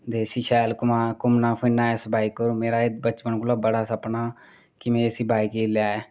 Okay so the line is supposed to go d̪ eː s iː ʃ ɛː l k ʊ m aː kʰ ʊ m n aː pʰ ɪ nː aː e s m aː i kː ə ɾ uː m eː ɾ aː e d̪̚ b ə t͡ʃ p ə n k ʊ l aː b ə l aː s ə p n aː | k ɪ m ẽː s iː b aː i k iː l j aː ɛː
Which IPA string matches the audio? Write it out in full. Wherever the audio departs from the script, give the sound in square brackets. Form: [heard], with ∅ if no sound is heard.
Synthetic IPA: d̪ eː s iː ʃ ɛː l k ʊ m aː [k] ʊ m n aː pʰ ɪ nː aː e s [b] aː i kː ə ɾ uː m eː ɾ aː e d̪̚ b ə t͡ʃ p ə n k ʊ l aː b ə [ɽ] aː s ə p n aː | k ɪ m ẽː s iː b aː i k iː l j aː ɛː